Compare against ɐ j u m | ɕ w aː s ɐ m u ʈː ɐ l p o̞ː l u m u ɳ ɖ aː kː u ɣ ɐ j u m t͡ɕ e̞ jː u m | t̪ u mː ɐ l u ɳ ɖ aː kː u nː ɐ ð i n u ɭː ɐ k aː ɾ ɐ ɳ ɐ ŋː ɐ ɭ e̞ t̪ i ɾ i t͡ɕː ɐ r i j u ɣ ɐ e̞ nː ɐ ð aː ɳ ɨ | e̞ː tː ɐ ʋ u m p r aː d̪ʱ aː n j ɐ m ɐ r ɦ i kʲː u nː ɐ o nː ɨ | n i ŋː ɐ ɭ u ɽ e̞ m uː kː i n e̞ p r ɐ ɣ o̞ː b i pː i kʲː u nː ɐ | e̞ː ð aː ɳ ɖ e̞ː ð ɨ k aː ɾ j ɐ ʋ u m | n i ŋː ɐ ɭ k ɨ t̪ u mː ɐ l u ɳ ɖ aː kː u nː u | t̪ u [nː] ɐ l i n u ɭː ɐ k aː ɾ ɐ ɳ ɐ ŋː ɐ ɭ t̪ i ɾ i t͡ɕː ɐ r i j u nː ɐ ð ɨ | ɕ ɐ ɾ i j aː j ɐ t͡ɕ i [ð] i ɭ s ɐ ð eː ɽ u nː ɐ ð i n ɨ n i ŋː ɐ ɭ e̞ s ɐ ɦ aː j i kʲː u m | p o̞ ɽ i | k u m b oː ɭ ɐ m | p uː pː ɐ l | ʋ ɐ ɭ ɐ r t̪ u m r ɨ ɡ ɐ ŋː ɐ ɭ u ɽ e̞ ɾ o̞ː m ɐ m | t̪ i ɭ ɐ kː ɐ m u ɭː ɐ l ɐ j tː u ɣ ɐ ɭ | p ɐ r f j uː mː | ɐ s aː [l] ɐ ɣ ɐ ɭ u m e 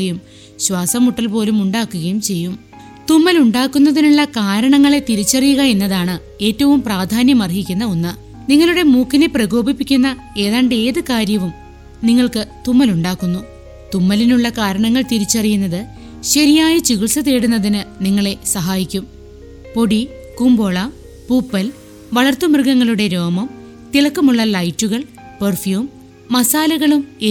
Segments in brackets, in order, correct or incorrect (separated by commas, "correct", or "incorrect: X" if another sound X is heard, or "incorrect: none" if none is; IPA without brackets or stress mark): incorrect: mː, incorrect: ɣ, correct